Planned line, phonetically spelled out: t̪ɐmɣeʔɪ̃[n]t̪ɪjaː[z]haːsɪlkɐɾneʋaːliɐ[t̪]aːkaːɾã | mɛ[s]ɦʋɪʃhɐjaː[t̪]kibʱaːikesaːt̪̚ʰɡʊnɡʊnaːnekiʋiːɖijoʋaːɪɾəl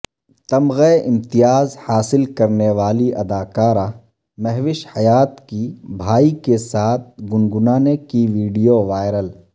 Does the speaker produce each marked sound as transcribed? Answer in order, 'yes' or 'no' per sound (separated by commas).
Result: no, yes, no, no, yes